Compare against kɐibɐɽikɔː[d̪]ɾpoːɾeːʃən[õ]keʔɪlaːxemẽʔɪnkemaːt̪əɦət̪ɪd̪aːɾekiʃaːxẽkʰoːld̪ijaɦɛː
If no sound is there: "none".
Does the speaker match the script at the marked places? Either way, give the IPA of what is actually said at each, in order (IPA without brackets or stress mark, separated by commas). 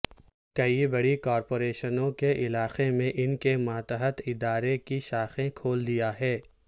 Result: none, õ